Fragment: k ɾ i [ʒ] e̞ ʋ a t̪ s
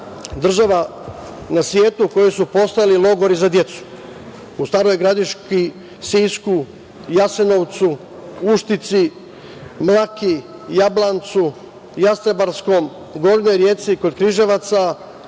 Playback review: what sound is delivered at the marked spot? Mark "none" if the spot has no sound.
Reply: ʒ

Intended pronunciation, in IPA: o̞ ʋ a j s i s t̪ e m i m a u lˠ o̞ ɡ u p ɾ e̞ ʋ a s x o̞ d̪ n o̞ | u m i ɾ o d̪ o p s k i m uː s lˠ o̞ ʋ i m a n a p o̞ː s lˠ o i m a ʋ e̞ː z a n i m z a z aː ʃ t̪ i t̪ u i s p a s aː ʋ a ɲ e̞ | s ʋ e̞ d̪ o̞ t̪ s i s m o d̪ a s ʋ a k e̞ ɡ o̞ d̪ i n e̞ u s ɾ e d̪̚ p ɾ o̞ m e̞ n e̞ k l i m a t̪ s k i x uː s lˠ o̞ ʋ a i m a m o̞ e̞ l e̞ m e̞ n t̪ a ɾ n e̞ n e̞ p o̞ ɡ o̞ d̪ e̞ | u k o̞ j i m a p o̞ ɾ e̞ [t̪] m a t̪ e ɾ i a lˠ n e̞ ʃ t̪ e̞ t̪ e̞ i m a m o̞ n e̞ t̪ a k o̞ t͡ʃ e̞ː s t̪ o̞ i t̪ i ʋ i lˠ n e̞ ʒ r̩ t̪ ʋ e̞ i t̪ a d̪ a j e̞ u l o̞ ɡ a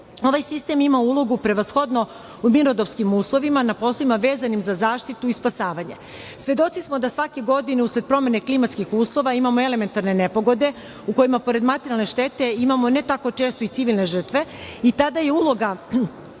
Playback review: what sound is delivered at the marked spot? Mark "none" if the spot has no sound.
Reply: d̪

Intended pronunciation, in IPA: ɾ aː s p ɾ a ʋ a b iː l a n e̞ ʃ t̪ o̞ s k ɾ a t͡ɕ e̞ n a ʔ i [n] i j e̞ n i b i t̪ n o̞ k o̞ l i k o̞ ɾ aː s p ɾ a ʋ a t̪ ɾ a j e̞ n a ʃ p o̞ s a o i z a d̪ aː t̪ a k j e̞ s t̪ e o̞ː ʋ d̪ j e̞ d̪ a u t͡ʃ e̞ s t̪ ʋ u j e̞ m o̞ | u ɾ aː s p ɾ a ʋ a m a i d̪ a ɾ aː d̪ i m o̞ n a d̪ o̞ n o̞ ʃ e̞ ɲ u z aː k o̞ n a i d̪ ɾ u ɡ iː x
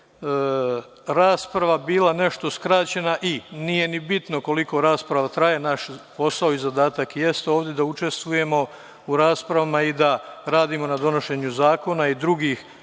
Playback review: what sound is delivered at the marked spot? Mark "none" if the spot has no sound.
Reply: n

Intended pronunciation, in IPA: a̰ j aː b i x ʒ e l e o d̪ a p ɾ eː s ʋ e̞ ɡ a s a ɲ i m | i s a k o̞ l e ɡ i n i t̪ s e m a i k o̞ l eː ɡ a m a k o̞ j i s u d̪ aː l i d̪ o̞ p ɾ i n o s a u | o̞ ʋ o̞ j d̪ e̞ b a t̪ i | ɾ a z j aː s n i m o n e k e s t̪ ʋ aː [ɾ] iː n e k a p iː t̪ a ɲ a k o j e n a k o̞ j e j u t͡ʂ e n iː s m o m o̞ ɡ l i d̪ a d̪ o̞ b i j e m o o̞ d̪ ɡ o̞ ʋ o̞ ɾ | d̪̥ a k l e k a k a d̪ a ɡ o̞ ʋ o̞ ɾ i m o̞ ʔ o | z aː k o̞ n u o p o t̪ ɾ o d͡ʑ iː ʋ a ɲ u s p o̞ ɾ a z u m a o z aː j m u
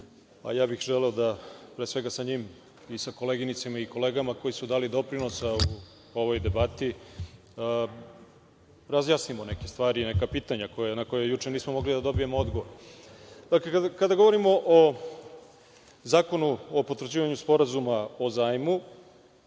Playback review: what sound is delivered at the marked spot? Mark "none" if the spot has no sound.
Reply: ɾ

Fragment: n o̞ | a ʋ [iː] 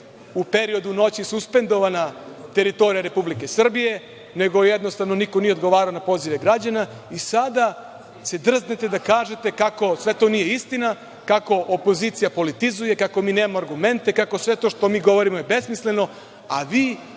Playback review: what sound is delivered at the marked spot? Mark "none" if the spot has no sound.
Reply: iː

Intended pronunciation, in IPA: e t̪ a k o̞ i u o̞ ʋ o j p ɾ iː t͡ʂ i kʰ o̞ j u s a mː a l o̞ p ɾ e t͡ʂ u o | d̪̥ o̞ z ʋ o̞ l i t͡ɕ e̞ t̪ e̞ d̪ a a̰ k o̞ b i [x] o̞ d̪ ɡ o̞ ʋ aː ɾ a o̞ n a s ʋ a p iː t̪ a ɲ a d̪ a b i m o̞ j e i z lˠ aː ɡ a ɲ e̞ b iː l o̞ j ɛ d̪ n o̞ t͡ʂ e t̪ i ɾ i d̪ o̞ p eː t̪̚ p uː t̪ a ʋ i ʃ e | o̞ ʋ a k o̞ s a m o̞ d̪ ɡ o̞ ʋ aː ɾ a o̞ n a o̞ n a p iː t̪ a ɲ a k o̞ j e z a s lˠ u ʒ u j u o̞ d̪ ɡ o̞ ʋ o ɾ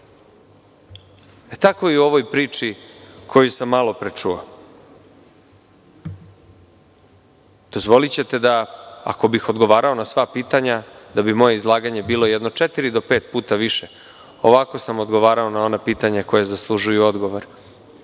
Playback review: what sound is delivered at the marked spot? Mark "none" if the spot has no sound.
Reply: x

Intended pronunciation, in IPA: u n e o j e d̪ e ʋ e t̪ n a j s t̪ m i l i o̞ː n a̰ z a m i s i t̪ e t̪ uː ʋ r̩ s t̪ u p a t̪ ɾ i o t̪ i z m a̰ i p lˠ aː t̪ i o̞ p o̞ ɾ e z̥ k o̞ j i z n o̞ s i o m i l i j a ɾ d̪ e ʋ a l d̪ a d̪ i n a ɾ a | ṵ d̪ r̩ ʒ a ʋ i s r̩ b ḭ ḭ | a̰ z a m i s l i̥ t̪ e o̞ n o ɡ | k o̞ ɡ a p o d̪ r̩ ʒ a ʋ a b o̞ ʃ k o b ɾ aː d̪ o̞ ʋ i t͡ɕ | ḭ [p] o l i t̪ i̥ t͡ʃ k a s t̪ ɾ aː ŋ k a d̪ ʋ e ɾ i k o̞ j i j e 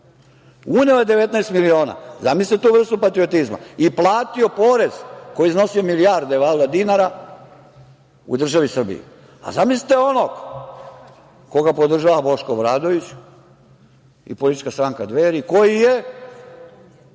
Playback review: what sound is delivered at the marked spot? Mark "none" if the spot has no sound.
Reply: p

